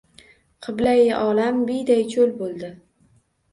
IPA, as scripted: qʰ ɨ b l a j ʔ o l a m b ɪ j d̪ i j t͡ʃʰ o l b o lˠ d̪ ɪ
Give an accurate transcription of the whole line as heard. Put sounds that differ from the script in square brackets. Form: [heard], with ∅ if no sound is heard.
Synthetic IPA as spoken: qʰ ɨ b l a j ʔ [ɒ] l a m b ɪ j d̪ [a] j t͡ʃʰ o l b o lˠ d̪ ɪ